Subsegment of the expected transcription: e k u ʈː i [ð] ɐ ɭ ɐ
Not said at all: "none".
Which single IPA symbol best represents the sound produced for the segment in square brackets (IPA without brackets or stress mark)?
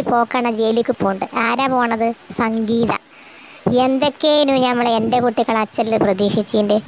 ɣ